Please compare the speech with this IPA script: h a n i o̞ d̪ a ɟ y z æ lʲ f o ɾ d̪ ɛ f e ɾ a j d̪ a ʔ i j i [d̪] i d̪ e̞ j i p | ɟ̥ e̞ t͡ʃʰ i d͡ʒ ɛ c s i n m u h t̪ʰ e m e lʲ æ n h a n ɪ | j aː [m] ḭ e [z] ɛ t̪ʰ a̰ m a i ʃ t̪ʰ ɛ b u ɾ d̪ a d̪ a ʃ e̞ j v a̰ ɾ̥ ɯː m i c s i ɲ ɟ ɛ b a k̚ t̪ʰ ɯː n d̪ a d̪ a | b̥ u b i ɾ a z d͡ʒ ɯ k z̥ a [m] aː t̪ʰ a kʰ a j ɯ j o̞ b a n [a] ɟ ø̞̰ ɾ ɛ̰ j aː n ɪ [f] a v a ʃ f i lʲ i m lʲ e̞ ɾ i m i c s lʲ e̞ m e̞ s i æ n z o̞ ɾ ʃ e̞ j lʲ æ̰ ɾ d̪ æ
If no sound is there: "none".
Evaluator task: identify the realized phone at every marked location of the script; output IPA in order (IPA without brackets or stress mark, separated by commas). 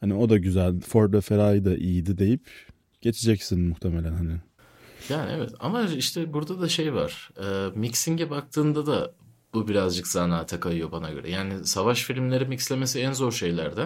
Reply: d̪, n, v, n, a, s